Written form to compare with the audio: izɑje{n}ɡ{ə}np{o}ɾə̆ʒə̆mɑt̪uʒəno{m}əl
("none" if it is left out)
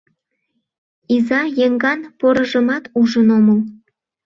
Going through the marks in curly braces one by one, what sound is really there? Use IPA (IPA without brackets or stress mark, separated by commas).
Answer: ŋ, ɑ, o, m